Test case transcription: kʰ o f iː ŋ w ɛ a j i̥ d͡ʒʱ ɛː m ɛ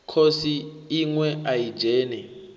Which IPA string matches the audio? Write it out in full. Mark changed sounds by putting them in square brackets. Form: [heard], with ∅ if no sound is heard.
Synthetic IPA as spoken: kʰ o [s] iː ŋ w ɛ a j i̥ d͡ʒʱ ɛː [n] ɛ